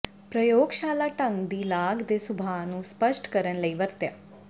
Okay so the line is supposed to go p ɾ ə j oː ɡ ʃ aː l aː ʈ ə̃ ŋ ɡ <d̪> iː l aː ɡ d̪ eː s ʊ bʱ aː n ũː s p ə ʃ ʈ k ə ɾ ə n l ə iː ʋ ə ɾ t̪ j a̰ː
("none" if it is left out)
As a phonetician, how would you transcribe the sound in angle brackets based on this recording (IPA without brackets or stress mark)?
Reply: d̪